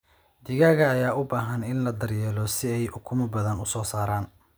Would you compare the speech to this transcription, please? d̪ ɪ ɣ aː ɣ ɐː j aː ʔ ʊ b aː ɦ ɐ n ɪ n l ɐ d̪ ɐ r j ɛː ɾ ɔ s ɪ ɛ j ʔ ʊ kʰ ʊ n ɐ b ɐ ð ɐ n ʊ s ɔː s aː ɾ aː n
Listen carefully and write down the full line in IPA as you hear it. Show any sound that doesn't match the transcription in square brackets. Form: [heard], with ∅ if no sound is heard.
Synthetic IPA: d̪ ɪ ɣ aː ɣ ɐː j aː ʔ ʊ b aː ɦ ɐ n ɪ n l ɐ d̪ ɐ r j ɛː [l] ɔ s ɪ ɛ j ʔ ʊ kʰ ʊ [m] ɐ b ɐ ð ɐ n ʊ s ɔː s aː ɾ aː n